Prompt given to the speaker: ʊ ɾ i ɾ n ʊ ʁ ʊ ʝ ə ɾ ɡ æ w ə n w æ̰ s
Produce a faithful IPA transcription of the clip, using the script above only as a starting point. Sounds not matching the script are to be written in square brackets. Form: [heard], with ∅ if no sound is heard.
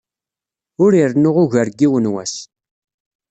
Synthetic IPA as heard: ʊ ɾ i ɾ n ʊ ʁ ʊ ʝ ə ɾ ɡ [i] w ə n w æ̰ s